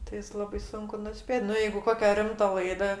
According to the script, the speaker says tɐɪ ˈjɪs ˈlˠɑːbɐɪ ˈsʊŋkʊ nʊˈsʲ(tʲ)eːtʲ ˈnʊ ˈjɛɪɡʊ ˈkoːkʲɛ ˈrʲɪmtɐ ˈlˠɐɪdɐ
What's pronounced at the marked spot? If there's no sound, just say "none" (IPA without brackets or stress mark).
pʲ